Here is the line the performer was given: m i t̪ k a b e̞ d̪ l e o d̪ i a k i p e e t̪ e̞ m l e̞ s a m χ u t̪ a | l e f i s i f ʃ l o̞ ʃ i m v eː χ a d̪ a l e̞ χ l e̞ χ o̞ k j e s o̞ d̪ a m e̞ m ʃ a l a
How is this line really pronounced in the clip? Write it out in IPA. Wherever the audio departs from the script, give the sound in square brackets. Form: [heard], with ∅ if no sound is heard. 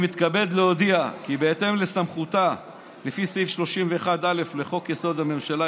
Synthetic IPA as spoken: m i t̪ k a b e̞ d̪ l e o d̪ i a k i [b] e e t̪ e̞ m l e̞ s a m χ u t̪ a | l e f i s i f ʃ l o̞ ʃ i m v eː χ a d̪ a l e̞ [f] l e̞ χ o̞ k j e s o̞ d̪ a m e̞ m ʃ a l a